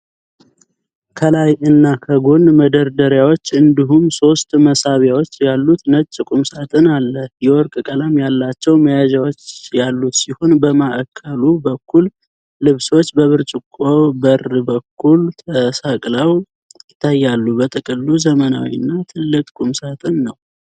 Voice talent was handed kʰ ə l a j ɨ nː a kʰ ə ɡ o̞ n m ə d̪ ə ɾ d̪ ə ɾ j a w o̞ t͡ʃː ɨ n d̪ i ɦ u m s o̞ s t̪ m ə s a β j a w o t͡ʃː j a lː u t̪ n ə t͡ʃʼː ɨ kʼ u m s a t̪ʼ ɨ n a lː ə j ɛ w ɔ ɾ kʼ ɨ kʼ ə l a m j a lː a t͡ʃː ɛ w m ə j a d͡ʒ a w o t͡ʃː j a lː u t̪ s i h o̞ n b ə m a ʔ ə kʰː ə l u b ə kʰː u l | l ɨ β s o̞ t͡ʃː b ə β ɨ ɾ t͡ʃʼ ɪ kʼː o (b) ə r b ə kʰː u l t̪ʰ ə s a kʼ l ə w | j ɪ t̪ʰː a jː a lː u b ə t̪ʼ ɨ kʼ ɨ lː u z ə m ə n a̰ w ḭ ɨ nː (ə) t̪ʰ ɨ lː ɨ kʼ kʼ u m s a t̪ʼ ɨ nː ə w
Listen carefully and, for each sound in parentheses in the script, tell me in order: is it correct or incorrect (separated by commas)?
correct, incorrect